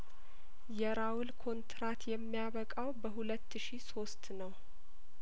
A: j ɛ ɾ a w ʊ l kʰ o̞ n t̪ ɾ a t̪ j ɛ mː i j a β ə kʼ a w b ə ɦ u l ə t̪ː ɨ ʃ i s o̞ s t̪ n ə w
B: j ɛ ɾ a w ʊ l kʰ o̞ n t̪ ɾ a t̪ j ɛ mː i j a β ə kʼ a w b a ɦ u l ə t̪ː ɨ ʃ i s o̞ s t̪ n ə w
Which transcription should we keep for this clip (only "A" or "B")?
A